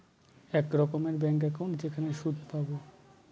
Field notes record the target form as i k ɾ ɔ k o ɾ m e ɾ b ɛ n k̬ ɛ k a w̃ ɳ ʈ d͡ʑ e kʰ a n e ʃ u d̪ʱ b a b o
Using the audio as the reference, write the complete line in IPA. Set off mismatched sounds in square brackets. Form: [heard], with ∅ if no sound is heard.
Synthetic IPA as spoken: [ɛ] k ɾ ɔ k o [∅] m e ɾ b ɛ [ŋ] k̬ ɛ k a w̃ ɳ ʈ d͡ʑ e kʰ a n e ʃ u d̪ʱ [p] a b o